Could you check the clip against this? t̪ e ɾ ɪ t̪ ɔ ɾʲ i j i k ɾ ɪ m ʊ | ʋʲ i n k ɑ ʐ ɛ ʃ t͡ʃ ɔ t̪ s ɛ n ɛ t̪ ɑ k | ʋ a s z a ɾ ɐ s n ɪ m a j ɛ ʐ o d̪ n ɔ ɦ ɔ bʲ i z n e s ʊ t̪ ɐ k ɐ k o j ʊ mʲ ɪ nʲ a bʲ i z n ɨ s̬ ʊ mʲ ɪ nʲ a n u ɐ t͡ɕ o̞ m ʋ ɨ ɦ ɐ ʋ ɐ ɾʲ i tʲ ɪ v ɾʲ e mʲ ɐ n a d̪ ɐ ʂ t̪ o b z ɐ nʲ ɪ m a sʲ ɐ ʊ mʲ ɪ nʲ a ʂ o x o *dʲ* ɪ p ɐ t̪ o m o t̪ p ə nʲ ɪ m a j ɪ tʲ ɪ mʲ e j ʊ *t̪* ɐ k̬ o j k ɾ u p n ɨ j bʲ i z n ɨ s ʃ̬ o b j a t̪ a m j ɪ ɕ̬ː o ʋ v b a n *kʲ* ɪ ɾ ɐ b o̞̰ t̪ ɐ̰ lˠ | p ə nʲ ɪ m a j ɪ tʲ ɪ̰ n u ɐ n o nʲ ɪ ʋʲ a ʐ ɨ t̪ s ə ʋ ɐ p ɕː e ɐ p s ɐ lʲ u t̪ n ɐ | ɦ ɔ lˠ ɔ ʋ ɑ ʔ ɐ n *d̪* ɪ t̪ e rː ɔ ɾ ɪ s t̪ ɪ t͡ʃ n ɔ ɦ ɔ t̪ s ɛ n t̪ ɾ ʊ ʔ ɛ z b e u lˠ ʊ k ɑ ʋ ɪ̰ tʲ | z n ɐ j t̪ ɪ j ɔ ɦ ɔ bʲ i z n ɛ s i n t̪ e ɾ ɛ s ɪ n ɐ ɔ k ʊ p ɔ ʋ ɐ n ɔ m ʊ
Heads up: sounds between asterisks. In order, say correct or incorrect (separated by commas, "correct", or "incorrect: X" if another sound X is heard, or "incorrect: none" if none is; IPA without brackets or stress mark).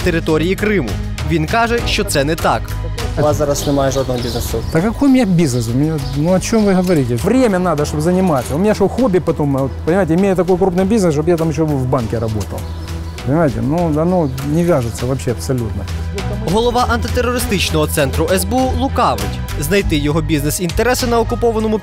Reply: incorrect: bʲ, correct, correct, incorrect: t̪